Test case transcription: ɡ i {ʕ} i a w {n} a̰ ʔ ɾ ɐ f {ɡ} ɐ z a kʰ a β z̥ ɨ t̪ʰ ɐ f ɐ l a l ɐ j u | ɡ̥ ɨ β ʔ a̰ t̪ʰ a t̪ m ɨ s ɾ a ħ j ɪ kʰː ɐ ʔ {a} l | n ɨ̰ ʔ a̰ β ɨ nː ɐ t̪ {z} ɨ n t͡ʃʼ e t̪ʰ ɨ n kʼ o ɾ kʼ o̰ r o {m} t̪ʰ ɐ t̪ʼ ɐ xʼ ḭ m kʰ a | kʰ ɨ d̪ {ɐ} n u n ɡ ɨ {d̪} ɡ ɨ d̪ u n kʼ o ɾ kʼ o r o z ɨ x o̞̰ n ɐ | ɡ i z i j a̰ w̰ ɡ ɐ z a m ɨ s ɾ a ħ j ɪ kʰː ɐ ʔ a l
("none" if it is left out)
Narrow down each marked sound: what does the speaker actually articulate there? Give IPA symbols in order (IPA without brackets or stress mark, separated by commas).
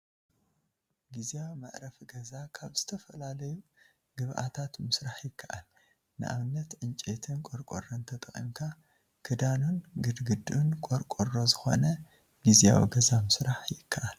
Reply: z, m, ɡ, a, ʕ, n, a, d̪